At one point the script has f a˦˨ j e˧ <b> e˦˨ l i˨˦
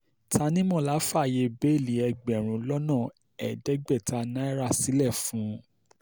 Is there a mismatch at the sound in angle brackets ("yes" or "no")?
no